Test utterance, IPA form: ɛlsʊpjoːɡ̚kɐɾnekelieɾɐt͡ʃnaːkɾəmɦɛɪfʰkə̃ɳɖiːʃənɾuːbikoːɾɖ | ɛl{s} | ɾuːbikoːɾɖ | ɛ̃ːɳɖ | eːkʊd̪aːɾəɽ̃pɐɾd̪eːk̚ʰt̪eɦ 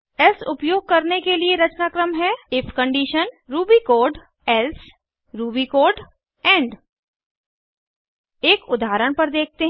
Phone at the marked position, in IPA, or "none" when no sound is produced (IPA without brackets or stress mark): s